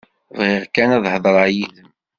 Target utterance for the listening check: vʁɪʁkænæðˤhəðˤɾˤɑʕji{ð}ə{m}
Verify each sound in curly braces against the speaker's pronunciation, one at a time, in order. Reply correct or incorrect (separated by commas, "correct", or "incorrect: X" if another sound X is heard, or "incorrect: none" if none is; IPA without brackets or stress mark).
correct, correct